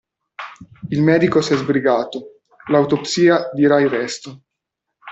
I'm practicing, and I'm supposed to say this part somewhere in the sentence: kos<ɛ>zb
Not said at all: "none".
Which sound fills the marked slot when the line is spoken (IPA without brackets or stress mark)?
ɛ